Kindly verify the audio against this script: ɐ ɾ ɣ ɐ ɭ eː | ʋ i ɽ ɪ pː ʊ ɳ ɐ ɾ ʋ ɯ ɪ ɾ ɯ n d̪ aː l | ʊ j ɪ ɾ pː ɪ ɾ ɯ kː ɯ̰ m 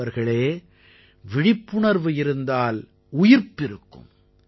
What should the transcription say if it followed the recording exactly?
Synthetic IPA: ɐ ɾ ɣ ɐ ɭ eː | ʋ ɪ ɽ ɪ pː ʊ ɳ ɐ ɾ ʋ ɯ ɪ ɾ ɯ n d̪ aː l | ʊ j ɪ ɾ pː ɪ ɾ ɯ kː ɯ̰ m